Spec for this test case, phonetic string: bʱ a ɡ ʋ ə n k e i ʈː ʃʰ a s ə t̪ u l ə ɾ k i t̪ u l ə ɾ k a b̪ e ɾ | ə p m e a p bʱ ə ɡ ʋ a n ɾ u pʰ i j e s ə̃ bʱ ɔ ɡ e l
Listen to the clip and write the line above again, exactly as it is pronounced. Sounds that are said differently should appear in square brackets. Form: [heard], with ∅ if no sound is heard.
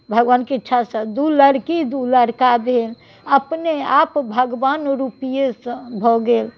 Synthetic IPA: bʱ [ə] ɡ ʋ [a] n k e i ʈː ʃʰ a s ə [d̪] u l ə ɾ k i [d̪] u l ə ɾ k a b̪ e [l] | ə p [n] e a p bʱ ə ɡ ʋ a n ɾ u [p] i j e s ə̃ bʱ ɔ ɡ e l